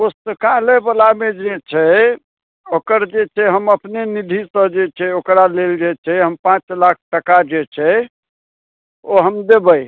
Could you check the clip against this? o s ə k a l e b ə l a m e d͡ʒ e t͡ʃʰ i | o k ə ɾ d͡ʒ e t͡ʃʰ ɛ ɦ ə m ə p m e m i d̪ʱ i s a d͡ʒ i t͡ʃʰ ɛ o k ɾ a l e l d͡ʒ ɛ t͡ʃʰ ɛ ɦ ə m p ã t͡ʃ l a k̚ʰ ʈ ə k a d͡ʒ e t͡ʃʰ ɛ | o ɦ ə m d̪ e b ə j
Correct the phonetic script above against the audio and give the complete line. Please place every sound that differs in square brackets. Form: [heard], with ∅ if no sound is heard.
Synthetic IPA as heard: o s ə k a l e b ə l a m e d͡ʒ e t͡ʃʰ [ɛ] | o k ə ɾ d͡ʒ e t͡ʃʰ ɛ ɦ ə m ə p [n] e [n] i d̪ʱ i s [ə] d͡ʒ [e] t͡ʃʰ ɛ o k ɾ a l e l d͡ʒ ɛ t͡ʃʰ ɛ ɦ ə m p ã t͡ʃ l a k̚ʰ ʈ ə k a d͡ʒ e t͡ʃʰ ɛ | o ɦ ə m d̪ e b ə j